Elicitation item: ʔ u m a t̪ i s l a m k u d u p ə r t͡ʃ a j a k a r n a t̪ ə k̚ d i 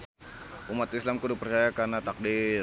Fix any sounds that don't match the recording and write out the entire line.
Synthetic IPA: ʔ u m a t̪ i s l a m k u d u p ə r t͡ʃ a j a k a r n a t̪ a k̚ d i